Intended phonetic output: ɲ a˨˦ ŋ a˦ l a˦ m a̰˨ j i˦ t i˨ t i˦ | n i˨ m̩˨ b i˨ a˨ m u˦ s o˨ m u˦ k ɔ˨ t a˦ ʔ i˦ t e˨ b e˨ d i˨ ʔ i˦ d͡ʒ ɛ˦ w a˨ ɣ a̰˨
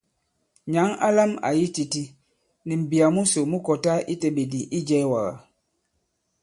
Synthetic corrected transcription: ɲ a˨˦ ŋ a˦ l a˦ m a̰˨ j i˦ t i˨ t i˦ | n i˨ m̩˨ b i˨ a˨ m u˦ s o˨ m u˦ k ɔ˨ t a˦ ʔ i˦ t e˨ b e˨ d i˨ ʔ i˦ d͡ʒ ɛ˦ w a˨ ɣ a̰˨